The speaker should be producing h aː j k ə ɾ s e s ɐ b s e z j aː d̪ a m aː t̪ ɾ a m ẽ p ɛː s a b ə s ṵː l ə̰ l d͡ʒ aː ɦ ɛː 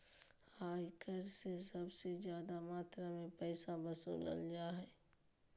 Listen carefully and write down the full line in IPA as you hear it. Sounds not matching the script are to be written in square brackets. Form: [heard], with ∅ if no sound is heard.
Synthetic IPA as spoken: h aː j k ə ɾ s e s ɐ b s e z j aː d̪ a m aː t̪ ɾ a m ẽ p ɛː s a b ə s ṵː l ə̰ l d͡ʒ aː ɦ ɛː